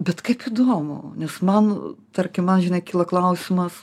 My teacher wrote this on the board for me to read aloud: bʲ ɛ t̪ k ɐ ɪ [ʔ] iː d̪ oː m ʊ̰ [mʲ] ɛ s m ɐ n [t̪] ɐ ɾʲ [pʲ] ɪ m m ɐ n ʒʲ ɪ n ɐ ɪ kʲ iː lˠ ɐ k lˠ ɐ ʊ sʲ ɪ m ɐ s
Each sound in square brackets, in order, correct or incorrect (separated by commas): incorrect, incorrect, correct, incorrect